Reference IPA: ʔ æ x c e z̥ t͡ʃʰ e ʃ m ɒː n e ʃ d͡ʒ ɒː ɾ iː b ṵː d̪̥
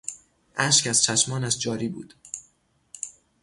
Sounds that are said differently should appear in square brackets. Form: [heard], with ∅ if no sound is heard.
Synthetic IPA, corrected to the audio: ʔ æ [ʃ] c [æ] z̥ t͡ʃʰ [æ] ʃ m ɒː n [æ] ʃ d͡ʒ ɒː ɾ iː b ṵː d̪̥